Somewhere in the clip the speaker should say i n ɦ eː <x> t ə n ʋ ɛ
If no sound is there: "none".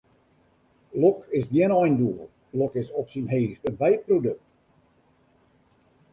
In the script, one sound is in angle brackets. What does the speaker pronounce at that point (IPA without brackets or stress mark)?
s